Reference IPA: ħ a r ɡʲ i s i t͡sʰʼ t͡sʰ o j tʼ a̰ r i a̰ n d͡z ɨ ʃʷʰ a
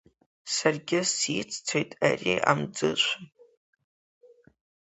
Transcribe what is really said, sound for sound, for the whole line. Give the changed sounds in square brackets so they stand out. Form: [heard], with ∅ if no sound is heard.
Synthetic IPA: [s] a r ɡʲ [ɪ] s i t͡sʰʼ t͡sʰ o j tʼ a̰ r i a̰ [m] d͡z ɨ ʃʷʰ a